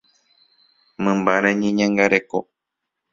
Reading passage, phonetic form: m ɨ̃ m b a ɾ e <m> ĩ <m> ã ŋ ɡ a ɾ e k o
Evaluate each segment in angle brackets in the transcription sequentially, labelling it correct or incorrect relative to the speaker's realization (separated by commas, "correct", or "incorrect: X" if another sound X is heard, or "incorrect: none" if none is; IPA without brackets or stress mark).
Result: incorrect: ɲ, incorrect: ɲ